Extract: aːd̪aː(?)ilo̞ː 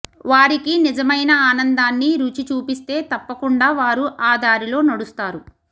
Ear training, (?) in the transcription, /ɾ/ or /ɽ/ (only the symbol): ɾ